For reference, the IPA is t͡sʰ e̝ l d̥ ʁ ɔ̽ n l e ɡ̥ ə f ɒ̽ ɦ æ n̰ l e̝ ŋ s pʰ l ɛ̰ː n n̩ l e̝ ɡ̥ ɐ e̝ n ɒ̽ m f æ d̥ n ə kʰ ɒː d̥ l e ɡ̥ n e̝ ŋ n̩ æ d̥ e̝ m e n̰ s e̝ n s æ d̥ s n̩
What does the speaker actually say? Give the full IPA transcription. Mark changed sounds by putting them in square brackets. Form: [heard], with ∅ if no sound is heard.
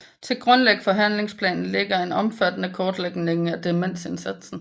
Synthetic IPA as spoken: t͡sʰ e̝ l [ɡ̥] ʁ ɔ̽ n l e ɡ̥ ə f ɒ̽ ɦ æ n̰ l e̝ ŋ s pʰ l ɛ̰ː n n̩ l e̝ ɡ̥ ɐ e̝ n ɒ̽ m f æ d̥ n ə kʰ ɒː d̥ l e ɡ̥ n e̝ ŋ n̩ æ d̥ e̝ m e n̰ s e̝ n s æ d̥ s n̩